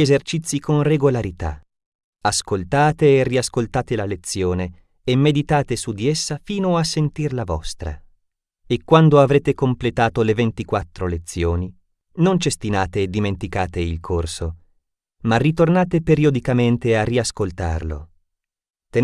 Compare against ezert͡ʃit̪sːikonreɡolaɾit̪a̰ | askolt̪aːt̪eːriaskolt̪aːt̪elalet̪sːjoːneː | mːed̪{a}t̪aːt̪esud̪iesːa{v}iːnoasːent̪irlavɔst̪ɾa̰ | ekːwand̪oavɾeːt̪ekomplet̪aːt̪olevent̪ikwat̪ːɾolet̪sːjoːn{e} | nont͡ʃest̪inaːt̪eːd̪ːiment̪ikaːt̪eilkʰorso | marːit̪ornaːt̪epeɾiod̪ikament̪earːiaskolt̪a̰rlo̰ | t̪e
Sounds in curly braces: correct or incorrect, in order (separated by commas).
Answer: incorrect, incorrect, incorrect